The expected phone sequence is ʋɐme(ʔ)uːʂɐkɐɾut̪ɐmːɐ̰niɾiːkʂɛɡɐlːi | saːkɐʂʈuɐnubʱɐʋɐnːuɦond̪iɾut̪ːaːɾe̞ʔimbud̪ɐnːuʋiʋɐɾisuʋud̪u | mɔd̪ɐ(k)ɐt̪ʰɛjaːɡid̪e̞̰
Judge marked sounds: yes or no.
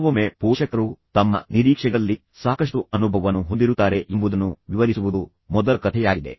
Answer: no, yes

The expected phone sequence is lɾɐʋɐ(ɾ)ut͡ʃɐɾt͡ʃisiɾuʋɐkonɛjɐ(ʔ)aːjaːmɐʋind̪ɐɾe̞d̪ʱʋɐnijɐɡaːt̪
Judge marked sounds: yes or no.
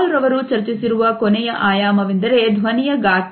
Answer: yes, yes

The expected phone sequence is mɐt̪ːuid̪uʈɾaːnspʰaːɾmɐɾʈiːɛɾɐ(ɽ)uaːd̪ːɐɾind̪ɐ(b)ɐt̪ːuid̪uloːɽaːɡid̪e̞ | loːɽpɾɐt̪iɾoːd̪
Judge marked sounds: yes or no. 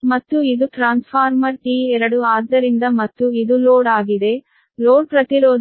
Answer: yes, no

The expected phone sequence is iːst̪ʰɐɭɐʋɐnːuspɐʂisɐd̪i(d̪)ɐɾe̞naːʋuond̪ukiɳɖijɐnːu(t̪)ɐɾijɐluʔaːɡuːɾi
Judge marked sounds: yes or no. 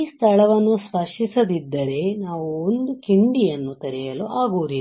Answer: no, yes

